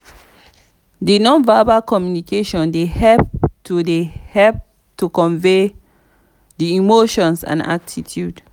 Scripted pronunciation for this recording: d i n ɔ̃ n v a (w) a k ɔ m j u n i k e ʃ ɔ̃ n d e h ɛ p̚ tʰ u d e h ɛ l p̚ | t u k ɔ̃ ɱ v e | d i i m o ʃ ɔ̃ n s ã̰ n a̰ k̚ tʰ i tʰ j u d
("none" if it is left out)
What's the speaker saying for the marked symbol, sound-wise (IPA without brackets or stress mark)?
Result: b